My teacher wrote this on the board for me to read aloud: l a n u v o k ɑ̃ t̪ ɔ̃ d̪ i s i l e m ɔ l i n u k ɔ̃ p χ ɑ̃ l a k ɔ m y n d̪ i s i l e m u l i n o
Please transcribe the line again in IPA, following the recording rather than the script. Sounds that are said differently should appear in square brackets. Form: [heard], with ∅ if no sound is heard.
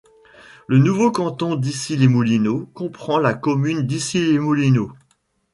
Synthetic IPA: l [ə] n u v o k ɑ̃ t̪ ɔ̃ d̪ i s i l e m [u] l i n [o] k ɔ̃ p χ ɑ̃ l a k ɔ m y n d̪ i s i l e m u l i n o